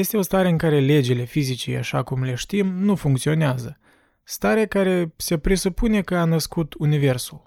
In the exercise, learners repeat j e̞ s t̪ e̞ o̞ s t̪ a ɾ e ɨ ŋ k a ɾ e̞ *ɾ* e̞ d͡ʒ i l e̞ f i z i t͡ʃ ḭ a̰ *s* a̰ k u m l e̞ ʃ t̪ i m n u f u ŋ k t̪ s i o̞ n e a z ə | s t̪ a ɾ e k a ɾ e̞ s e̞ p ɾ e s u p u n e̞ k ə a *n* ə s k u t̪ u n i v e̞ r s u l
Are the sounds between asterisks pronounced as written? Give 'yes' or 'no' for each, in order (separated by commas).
no, no, yes